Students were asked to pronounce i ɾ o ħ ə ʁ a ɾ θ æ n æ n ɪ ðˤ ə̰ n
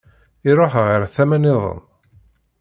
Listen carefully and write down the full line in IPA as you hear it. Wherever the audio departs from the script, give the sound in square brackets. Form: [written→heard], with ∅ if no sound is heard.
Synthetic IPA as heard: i ɾ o ħ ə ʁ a ɾ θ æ [n→m] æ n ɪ ðˤ ə̰ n